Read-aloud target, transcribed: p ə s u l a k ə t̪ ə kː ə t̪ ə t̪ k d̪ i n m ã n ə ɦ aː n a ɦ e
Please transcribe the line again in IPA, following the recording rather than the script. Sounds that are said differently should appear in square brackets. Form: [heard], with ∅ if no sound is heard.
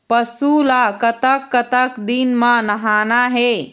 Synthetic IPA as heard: p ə s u l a k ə t̪ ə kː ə t̪ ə [∅] k d̪ i n m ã n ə ɦ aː n a ɦ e